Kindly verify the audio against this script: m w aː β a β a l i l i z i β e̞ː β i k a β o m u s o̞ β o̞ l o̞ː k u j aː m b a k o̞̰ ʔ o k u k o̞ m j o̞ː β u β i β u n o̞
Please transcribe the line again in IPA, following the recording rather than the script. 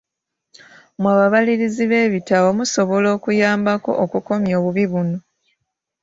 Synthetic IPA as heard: m w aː β a β a l i ɾ i z i β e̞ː β i t a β o m u s o̞ β o̞ l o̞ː k u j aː m b a k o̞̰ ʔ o k u k o̞ m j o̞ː β u β i β u n o̞